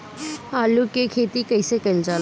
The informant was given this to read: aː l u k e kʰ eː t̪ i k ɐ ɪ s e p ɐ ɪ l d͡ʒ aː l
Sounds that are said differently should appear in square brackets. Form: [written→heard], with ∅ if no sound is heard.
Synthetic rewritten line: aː l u k e kʰ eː t̪ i k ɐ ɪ s e [p→k] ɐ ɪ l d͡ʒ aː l